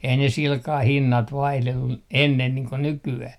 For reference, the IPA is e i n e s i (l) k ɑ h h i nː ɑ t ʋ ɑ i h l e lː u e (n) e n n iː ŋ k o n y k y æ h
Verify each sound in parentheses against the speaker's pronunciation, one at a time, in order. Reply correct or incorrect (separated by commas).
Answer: correct, incorrect